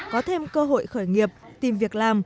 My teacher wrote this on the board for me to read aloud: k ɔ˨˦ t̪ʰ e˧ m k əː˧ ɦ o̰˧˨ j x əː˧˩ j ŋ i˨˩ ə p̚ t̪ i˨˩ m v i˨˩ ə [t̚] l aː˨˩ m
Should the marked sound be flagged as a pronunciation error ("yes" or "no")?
yes